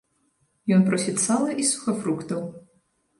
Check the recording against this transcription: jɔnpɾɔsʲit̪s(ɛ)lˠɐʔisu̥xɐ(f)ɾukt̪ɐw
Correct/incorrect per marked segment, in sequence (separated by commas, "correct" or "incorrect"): incorrect, correct